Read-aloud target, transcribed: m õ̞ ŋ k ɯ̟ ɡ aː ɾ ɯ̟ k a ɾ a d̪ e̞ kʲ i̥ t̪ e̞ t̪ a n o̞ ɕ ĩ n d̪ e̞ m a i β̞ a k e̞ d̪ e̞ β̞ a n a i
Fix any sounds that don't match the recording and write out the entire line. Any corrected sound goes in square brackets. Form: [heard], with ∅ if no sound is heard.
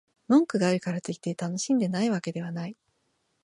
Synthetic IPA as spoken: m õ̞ ŋ k ɯ̟ ɡ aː ɾ ɯ̟ k a ɾ a [t̪] e̞ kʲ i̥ t̪ e̞ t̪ a n o̞ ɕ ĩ n d̪ e̞ [n] a i β̞ a k e̞ d̪ e̞ β̞ a n a i